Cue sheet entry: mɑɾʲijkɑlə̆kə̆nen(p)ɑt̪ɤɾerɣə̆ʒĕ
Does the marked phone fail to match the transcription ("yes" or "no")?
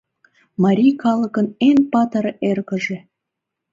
no